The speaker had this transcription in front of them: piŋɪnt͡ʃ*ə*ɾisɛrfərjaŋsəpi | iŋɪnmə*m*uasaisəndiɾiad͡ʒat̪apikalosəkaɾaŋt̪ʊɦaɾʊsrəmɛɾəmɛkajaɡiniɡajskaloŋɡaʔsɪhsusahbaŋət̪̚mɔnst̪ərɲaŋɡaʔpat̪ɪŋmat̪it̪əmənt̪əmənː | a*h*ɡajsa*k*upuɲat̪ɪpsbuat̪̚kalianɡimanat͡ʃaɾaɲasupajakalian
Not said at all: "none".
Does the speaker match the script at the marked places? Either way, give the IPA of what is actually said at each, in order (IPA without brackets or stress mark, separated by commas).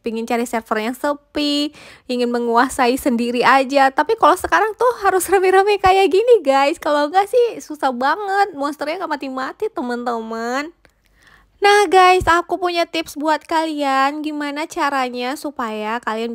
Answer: a, ŋ, h, k